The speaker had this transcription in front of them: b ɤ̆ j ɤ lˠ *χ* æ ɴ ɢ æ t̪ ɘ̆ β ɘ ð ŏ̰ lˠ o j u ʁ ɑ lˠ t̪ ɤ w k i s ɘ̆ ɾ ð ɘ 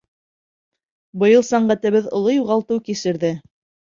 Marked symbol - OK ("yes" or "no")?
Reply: no